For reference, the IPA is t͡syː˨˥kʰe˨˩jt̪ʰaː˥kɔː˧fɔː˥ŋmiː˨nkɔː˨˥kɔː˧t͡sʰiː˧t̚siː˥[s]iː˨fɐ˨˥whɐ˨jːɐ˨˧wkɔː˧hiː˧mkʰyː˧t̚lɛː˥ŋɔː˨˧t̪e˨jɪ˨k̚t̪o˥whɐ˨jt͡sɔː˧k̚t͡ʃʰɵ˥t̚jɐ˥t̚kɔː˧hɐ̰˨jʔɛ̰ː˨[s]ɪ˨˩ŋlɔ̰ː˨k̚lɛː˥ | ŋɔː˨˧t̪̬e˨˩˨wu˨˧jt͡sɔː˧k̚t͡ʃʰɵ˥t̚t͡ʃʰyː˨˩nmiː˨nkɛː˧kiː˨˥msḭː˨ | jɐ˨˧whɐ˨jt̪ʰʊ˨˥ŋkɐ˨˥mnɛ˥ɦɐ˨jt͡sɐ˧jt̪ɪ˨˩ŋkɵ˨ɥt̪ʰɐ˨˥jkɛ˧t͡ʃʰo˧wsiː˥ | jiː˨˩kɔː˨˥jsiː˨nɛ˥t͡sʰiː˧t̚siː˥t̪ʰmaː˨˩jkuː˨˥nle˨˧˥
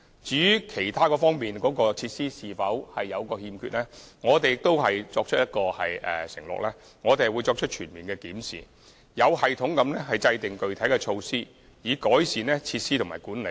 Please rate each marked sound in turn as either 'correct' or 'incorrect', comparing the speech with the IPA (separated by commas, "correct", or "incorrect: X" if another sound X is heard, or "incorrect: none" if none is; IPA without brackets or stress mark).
correct, correct